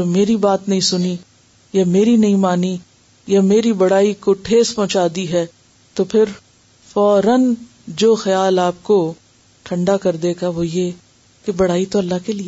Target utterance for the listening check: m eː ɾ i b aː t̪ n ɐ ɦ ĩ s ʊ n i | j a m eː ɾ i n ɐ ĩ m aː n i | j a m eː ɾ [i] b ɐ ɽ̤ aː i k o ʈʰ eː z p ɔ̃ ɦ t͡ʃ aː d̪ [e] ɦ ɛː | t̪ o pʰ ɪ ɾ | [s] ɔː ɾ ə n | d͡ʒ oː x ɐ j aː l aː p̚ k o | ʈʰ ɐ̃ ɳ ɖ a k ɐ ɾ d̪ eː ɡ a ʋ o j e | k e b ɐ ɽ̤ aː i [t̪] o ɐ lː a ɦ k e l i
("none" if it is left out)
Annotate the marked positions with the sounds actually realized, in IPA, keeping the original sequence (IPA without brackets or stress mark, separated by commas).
i, i, f, t̪